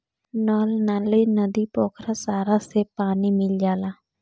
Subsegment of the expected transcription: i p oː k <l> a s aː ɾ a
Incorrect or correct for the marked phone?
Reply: incorrect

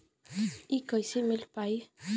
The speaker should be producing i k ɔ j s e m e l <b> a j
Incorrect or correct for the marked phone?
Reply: incorrect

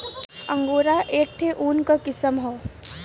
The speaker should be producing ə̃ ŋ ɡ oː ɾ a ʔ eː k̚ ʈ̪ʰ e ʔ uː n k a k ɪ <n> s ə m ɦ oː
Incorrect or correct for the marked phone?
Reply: incorrect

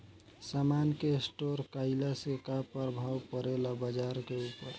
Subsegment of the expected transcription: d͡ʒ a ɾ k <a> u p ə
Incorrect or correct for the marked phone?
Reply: incorrect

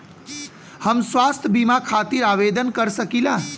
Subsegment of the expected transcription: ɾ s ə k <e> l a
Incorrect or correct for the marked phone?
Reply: incorrect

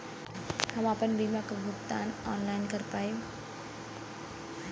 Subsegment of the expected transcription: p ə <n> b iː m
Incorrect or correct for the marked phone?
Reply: correct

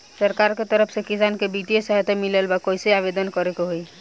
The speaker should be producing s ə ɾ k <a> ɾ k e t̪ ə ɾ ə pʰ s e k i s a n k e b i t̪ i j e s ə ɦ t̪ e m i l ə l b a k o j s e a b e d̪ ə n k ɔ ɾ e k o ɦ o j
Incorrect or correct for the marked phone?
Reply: correct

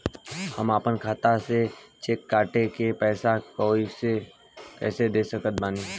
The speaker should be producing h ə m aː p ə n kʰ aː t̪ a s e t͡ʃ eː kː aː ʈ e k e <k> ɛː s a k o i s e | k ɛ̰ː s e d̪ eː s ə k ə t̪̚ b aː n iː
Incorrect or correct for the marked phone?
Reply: incorrect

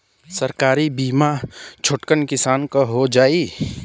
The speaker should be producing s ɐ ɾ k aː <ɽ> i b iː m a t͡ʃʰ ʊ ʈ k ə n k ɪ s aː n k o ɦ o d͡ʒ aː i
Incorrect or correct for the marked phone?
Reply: incorrect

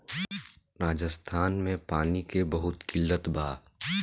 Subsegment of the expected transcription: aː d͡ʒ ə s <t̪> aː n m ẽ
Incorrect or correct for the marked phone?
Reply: incorrect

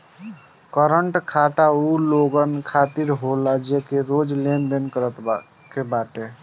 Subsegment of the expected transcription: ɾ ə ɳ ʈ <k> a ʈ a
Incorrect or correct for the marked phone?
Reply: incorrect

